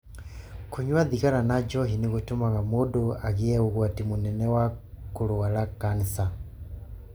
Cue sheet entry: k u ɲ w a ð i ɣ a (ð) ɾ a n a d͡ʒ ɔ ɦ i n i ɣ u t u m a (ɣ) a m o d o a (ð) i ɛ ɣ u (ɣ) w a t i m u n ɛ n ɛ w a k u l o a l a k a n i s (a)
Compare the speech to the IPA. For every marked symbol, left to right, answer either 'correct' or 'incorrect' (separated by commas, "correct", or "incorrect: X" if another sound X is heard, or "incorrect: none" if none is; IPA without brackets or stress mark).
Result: incorrect: none, correct, incorrect: ɣ, correct, correct